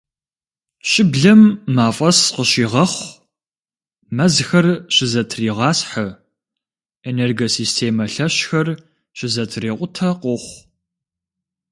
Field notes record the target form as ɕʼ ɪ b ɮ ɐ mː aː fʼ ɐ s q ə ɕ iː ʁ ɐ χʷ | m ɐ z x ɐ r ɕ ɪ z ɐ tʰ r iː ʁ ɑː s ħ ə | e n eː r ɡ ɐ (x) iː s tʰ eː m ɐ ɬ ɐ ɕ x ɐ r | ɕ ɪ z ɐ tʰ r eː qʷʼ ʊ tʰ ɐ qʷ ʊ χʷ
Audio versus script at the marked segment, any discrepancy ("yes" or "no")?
yes